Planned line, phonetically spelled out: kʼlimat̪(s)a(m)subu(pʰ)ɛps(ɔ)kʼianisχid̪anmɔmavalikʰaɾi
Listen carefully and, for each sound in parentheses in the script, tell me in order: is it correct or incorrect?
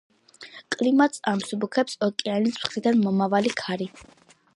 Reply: correct, correct, incorrect, correct

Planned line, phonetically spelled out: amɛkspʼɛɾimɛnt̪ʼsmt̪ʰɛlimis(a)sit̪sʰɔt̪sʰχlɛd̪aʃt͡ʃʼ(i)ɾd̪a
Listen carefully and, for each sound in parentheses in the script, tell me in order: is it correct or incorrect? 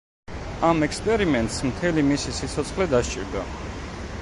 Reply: incorrect, correct

